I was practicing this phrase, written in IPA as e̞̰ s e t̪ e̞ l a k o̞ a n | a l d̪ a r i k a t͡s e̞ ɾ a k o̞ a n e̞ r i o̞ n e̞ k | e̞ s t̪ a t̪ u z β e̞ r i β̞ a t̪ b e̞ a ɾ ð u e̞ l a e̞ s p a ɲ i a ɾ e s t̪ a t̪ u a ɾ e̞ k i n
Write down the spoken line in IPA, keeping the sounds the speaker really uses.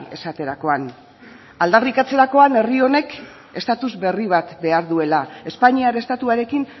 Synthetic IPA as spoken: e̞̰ s a t̪ e̞ ɾ a k o̞ a n | a l d̪ a r i k a t͡s e̞ ɾ a k o̞ a n e̞ r i o̞ n e̞ k | e̞ s t̪ a t̪ u z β e̞ r i β̞ a t̪ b e̞ a ɾ ð u e̞ l a e̞ s p a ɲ i a ɾ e s t̪ a t̪ u a ɾ e̞ k i n